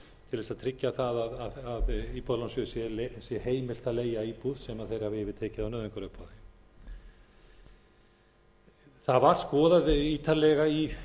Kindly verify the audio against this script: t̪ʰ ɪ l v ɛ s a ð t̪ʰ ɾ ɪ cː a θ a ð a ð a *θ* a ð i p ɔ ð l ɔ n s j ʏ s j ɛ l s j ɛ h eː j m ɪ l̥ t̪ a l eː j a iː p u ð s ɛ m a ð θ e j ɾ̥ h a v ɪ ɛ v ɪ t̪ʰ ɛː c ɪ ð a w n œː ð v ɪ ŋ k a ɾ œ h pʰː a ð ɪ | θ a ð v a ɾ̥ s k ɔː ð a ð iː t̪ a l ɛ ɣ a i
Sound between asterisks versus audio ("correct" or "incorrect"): incorrect